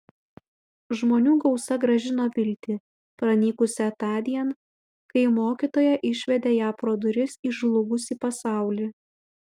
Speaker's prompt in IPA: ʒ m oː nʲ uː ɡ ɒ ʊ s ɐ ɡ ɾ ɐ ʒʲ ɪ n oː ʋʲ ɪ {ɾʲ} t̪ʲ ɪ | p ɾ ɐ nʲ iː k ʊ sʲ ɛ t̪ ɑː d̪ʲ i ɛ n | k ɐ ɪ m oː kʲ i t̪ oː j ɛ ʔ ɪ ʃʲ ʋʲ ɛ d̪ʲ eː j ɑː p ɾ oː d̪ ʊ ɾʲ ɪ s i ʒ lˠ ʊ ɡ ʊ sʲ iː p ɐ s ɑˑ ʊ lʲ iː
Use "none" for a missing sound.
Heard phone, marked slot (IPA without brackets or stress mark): lʲ